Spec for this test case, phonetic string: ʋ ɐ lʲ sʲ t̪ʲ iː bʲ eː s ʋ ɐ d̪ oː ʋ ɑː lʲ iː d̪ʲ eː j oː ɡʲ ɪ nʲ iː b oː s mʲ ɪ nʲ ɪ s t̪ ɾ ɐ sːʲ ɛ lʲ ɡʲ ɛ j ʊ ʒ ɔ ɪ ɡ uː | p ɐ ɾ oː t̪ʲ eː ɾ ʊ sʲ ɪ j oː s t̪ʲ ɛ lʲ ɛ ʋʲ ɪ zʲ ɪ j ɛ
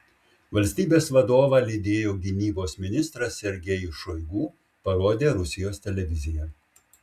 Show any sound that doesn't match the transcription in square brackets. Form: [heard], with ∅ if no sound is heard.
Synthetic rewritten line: ʋ ɐ lʲ sʲ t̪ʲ iː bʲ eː s ʋ ɐ d̪ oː ʋ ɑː lʲ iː d̪ʲ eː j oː ɡʲ ɪ nʲ iː b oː s mʲ ɪ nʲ ɪ s t̪ ɾ ɐ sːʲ ɛ [ɾʲ] ɡʲ ɛ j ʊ [ʃ] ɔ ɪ ɡ uː | p ɐ ɾ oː [d̪ʲ] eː ɾ ʊ sʲ ɪ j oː s t̪ʲ ɛ lʲ ɛ ʋʲ ɪ zʲ ɪ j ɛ